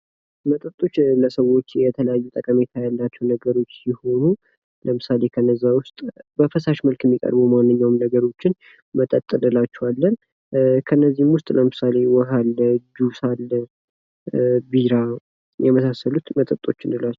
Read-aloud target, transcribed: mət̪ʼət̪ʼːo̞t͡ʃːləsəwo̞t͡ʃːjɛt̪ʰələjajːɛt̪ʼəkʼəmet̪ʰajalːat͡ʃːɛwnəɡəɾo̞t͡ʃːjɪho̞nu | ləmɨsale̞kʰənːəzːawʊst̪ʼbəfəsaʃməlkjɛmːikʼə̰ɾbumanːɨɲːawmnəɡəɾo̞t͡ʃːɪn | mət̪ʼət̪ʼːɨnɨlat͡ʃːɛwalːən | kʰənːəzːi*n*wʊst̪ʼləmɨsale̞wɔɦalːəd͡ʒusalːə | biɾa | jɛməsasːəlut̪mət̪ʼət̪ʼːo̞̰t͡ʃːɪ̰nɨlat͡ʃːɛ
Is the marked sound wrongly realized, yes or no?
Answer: yes